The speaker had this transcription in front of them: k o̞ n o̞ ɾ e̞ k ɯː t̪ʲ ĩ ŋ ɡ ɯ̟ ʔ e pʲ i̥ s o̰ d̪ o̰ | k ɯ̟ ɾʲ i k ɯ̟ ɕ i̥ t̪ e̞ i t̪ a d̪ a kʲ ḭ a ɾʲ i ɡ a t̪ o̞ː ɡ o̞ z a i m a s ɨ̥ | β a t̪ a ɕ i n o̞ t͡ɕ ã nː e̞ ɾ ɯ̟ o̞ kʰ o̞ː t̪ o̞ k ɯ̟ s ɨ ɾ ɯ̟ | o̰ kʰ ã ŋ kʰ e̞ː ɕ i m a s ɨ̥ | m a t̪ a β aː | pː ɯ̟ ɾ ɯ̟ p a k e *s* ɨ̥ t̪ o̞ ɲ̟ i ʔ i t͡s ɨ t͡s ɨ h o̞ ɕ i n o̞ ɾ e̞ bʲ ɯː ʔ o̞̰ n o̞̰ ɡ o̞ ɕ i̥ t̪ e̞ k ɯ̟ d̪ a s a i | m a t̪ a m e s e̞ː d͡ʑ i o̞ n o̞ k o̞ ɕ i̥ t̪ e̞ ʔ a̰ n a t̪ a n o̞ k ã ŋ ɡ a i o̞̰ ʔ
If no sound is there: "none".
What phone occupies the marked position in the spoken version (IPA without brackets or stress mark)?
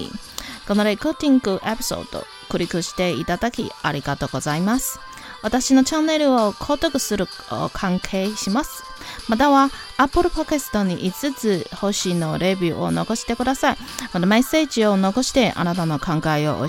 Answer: s